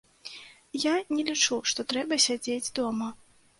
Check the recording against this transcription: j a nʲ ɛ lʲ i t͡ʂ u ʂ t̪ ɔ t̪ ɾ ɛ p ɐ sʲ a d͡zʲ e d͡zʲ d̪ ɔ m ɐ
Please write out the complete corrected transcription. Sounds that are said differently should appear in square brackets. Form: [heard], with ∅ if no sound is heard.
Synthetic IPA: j a nʲ ɛ lʲ i t͡ʂ u ʂ t̪ ɔ t̪ ɾ ɛ [b] ɐ sʲ a d͡zʲ e d͡zʲ d̪ ɔ m ɐ